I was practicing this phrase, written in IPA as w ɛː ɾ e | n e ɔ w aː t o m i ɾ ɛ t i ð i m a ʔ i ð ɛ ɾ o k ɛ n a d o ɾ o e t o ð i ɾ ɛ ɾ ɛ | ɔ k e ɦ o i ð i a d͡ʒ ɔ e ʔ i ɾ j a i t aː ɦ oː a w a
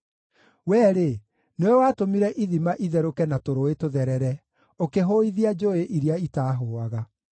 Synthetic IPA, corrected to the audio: w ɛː ɾ e | n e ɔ w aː t o m i ɾ ɛ ʔ i ð i m a ʔ i ð ɛ ɾ o k ɛ n a t o ɾ o e t o ð ɛ ɾ ɛ ɾ ɛ | o k e ɦ o i ð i a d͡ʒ o e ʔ i ɾ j a i t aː ɦ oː a ɣ a

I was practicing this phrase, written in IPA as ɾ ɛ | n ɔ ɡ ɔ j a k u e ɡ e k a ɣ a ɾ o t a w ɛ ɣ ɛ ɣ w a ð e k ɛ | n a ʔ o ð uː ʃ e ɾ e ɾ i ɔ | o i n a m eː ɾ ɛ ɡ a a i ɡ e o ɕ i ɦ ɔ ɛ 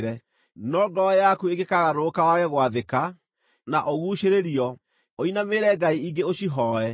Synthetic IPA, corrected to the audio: ɾ ɛ | n ɔ ɡ ɔ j a k u e ɡ e k a ɣ a ɾ o k a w a ɣ ɛ ɣ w a ð e k a | n a ʔ o ɣ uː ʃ e ɾ e ɾ i ɔ | o i n a m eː ɾ ɛ ɡ a i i ɡ e o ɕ i ɦ ɔ ɛ

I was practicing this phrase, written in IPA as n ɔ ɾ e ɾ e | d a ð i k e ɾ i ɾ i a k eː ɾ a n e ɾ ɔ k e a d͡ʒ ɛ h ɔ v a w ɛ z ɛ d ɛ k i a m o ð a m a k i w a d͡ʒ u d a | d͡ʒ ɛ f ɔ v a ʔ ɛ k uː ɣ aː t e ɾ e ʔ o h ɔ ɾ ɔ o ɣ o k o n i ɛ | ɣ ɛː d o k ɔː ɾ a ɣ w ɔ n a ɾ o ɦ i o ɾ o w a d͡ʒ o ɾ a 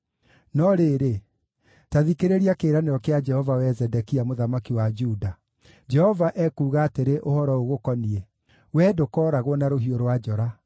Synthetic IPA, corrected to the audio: n ɔ ɾ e ɾ e | t a ð i k e ɾ e ɾ i a k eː ɾ a n e ɾ ɔ k e a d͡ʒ ɛ h ɔ v a w ɛ z ɛ d ɛ k i a m o ð a m a k i w a d͡ʒ u d a | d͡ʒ ɛ h ɔ v a ʔ ɛ k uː ɣ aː t e ɾ e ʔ o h ɔ ɾ ɔ o ɣ o k ɔ n i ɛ | w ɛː d o k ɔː ɾ a ɣ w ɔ n a ɾ o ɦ i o ɾ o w a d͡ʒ ɔ ɾ a

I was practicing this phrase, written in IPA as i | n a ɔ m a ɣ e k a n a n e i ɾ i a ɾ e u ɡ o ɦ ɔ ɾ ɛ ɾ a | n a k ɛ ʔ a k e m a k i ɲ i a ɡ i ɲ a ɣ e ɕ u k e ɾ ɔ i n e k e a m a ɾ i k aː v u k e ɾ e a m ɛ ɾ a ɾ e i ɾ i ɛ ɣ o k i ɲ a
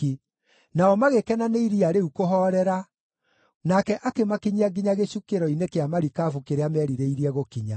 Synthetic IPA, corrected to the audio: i | n a ɔ m a ɣ e k ɛ n a n e i ɾ i a ɾ e u k o ɦ ɔ ɾ ɛ ɾ a | n a k ɛ ʔ a k e m a k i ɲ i a ɡ i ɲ a ɣ e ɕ u k e ɾ ɔ i n e k e a m a ɾ i k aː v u k e ɾ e a m ɛ ɾ i ɾ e i ɾ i ɛ ɣ o k i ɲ a

